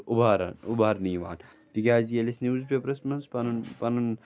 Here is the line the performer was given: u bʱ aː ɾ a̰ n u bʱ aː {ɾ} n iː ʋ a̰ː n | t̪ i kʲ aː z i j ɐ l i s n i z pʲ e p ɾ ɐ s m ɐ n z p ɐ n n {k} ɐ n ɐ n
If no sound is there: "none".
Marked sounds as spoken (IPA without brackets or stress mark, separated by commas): ɾ, p